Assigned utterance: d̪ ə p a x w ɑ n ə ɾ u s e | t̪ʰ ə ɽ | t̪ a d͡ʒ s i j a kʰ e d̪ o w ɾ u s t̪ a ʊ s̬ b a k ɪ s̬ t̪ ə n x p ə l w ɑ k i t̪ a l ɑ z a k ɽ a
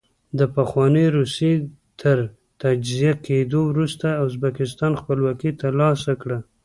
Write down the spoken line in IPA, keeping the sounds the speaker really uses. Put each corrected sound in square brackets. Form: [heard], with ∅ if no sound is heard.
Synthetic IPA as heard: d̪ ə p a x w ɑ n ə ɾ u s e | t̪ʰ ə [ɾ] | t̪ a d͡ʒ [z] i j a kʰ e d̪ o w ɾ u s t̪ a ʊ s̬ b a k ɪ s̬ t̪ [ɑ] n x p ə l w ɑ k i t̪ a l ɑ [s] a k ɽ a